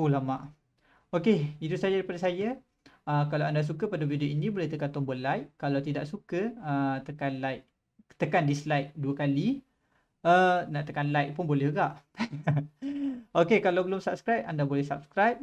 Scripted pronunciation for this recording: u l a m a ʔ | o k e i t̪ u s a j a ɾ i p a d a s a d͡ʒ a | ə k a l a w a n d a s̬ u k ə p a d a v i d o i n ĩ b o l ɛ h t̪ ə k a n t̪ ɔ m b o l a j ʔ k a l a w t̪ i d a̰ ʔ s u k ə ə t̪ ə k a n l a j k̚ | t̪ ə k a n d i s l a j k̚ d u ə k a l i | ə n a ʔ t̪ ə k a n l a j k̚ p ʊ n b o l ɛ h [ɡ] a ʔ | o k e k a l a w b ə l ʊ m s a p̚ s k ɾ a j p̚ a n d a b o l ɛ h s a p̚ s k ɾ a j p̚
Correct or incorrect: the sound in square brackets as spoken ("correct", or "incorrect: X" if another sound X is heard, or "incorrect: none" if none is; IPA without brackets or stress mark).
correct